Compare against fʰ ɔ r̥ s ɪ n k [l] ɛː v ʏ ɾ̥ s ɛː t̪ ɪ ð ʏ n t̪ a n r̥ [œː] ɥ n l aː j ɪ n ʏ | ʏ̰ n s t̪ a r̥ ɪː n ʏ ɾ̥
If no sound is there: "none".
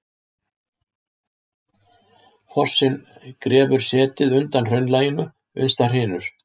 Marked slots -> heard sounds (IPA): ɾ, œ

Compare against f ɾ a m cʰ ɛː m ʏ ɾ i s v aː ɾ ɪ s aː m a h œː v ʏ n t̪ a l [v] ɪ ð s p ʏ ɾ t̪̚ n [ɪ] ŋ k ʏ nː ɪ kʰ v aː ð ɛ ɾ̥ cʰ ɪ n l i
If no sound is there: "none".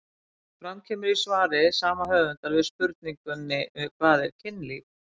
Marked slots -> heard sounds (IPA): v, i

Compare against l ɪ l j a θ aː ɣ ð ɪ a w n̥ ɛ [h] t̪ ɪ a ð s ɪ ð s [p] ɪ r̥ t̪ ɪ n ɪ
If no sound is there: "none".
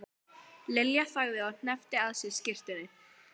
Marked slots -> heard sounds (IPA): f, c

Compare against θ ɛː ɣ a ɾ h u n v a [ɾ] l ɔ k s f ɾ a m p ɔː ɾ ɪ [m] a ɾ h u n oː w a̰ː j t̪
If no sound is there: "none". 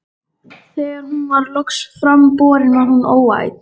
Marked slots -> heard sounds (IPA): ɾ, n

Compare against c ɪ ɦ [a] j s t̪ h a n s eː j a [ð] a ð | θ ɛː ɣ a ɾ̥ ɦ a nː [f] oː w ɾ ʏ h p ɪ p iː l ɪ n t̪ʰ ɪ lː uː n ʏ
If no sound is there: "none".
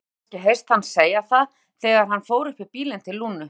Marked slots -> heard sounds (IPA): e, θ, f

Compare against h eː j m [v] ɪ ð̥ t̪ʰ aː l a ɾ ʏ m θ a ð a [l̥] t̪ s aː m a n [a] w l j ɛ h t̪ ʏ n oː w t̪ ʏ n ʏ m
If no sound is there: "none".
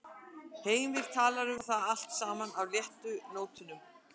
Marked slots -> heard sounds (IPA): v, l̥, a

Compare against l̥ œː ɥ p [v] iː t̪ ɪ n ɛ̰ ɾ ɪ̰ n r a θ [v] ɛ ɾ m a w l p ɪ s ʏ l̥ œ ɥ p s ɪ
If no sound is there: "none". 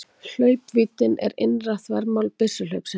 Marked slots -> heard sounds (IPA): v, v

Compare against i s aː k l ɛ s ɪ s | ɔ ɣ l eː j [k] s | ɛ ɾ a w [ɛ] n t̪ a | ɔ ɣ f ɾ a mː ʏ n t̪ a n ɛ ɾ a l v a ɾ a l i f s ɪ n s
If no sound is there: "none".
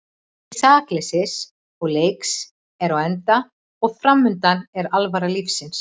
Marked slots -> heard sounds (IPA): k, ɛ

